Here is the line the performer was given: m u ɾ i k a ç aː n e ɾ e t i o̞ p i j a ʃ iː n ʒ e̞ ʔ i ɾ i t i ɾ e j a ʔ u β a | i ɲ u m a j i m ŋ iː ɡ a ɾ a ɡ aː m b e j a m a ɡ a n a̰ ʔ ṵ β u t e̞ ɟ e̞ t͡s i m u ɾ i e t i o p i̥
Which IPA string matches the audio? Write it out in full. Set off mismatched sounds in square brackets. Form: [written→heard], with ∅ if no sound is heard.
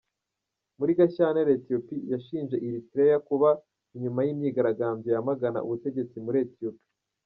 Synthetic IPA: m u ɾ i [k→ɡ] a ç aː n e ɾ e t i o̞ p i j a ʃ iː n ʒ e̞ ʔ i ɾ i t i ɾ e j a [ʔ→k] u β a | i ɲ u m a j i m [ŋ→ɲ] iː ɡ a ɾ a ɡ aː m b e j a m a ɡ a n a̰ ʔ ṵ β u t e̞ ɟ e̞ t͡s i m u ɾ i e t i o p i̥

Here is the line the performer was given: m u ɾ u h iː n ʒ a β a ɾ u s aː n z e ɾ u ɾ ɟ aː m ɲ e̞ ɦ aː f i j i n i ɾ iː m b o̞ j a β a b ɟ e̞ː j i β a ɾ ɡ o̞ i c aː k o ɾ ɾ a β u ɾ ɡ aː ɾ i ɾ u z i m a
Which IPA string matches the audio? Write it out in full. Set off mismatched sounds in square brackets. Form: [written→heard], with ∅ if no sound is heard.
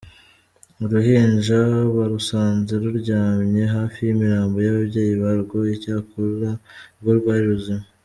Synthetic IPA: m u ɾ u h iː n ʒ a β a ɾ u s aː n z e ɾ u ɾ ɟ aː m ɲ e̞ ɦ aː f i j i [n→m] i ɾ [iː→aː] m b o̞ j a β a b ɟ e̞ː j i β a ɾ ɡ o̞ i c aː k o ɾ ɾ a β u ɾ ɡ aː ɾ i ɾ u z i m a

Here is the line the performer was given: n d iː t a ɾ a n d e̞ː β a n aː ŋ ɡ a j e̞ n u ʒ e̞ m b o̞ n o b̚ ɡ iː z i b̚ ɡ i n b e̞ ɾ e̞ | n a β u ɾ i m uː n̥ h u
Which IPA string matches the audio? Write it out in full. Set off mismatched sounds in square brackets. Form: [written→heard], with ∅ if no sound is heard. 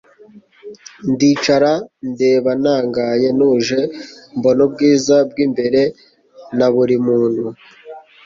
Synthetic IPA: n d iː [t→t͡ʃ] a ɾ a n d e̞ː β a n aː ŋ ɡ a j e̞ n u ʒ e̞ m b o̞ n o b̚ ɡ iː z [i→a] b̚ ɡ i [n→m] b e̞ ɾ e̞ | n a β u ɾ i m uː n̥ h u

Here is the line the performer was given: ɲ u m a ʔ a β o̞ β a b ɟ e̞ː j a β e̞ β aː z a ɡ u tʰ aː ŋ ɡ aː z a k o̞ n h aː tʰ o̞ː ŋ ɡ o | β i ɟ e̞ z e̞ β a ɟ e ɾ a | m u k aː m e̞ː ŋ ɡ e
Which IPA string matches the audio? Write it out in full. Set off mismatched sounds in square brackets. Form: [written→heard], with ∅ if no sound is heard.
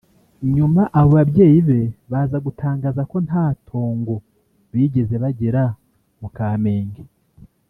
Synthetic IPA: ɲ u m a ʔ a β o̞ β a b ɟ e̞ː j [a→i] β e̞ β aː z a ɡ u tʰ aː ŋ ɡ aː z a k o̞ n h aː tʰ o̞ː ŋ ɡ o | β i ɟ e̞ z e̞ β a ɟ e ɾ a | m u k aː m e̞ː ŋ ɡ e

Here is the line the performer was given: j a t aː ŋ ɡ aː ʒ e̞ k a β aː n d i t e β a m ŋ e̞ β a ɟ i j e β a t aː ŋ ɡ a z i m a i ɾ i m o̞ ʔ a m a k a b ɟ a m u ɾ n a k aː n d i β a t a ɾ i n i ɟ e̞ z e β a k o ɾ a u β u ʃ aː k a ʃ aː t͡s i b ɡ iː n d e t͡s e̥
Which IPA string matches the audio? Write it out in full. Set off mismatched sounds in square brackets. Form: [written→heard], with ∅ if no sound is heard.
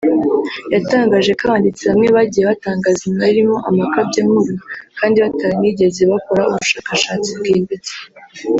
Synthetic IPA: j a t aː ŋ ɡ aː ʒ e̞ k a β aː n d i [t→t͡s] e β a m ŋ e̞ β a ɟ i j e β a t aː ŋ ɡ a z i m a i ɾ i m o̞ ʔ a m a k a b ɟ a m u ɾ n a k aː n d i β a t a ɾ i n i ɟ e̞ z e β a k o ɾ a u β u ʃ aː k a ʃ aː t͡s i b ɡ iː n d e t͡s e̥

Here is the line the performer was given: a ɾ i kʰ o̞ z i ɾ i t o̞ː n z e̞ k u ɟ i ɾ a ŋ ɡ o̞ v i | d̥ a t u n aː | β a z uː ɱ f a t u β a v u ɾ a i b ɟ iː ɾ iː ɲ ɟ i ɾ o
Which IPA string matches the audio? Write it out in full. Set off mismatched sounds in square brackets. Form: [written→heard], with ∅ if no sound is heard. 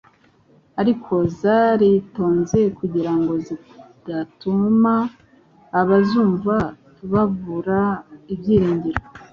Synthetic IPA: a ɾ i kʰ o̞ z [i→a] ɾ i t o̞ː n z e̞ k u ɟ i ɾ a ŋ ɡ o̞ [v→z] i | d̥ a t u [n→m] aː | β a z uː ɱ [f→v] a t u β a v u ɾ a i b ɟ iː ɾ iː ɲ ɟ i ɾ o

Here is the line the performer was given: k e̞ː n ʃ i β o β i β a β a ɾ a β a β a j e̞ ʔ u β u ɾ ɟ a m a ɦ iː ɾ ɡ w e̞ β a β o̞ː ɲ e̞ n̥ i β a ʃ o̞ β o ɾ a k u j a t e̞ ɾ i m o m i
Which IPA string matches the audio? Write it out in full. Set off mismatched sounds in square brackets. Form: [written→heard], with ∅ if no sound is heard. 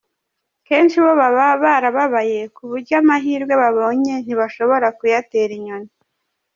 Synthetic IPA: k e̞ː n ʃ i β o β [i→a] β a β a ɾ a β a β a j e̞ [ʔ→k] u β u ɾ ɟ a m a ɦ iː ɾ ɡ w e̞ β a β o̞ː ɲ e̞ n̥ i β a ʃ o̞ β o ɾ a k u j a t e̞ ɾ i [m→ɲ] o [m→n] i

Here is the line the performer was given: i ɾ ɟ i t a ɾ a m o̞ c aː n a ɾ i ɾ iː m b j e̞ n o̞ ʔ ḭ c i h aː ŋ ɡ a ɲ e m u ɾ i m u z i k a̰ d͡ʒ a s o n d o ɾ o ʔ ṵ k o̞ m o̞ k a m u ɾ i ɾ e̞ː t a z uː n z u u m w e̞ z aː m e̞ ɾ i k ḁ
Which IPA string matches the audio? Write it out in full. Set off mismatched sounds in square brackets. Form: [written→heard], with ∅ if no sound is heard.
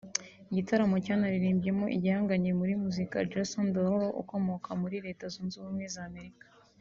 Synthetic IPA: i [ɾ→∅] ɟ i t a ɾ a m o̞ c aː n a ɾ i ɾ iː m b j e̞ [n→m] o̞ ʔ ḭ [c→ɟ] i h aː ŋ ɡ a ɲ e m u ɾ i m u z i k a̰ d͡ʒ a s o n d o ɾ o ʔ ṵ k o̞ m o̞ k a m u ɾ i ɾ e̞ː t a z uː n z u u m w e̞ z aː m e̞ ɾ i k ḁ

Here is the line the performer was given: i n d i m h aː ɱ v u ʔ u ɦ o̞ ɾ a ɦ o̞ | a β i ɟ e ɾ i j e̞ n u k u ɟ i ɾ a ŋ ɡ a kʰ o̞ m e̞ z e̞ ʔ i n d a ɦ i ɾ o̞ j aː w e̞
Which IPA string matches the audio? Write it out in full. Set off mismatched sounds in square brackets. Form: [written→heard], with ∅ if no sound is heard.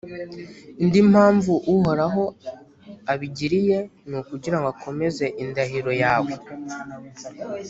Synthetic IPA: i n d i m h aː ɱ v u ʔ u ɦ o̞ ɾ a ɦ o̞ | a β i ɟ [e→i] ɾ i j e̞ n u k u ɟ i ɾ a ŋ ɡ a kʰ o̞ m e̞ z e̞ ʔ i n d a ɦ i ɾ o̞ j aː w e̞

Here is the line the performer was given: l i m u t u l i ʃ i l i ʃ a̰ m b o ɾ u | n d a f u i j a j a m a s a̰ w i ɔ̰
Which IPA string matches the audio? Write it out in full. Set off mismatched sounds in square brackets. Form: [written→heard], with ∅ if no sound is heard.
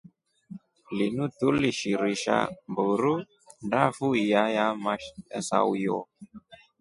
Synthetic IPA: l i [m→n] u t u l i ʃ i [l→ɾ] i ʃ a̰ m b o ɾ u | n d a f u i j a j a m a s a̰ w [i→j] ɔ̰

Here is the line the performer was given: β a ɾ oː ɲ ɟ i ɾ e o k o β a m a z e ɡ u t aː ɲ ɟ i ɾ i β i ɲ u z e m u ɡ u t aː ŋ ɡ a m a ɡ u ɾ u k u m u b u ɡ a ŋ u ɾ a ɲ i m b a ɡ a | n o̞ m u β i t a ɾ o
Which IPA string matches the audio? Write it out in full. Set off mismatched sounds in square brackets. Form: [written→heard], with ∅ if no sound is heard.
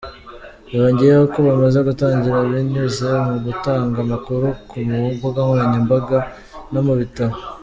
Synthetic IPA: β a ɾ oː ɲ ɟ i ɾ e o k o β a m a z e ɡ u t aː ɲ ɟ i ɾ [i→a] β i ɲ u z e m u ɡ u t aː ŋ ɡ a m a [ɡ→k] u ɾ u k u m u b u ɡ a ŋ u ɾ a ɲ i m b a ɡ a | n o̞ m u β i t a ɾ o

